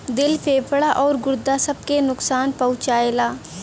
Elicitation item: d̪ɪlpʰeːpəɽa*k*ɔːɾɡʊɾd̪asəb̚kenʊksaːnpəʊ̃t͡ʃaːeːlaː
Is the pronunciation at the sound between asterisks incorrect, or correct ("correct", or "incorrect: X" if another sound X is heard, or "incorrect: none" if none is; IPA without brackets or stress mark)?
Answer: incorrect: ʔ